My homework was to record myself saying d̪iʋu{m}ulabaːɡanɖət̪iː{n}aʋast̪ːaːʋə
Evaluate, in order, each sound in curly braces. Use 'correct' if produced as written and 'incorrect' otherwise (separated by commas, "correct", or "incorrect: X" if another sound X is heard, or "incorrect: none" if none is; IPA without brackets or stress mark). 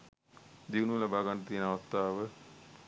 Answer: incorrect: n, correct